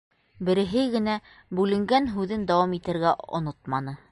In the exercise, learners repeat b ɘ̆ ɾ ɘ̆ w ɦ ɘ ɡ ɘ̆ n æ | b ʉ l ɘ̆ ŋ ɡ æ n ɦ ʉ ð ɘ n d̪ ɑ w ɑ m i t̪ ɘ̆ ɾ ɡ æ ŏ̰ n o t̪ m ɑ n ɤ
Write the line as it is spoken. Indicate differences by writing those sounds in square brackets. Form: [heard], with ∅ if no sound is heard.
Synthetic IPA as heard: b ɘ̆ ɾ ɘ̆ [∅] ɦ ɘ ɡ ɘ̆ n æ | b ʉ l ɘ̆ ŋ ɡ æ n ɦ ʉ ð ɘ n d̪ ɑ w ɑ m i t̪ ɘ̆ ɾ ɡ æ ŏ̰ n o t̪ m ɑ n ɤ